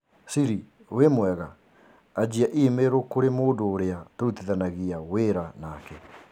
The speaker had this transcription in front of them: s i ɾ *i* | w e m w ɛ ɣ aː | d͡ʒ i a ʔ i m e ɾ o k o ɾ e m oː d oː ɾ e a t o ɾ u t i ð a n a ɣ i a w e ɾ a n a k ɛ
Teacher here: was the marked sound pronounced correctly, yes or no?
yes